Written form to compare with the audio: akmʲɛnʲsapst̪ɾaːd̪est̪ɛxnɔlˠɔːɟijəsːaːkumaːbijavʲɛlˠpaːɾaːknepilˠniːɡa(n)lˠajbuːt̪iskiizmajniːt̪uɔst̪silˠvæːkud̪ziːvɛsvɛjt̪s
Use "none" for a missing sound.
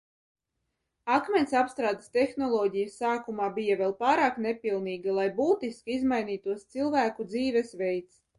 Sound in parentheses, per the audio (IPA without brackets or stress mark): none